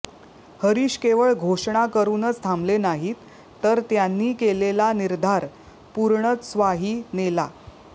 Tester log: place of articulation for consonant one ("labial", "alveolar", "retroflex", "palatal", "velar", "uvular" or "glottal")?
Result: glottal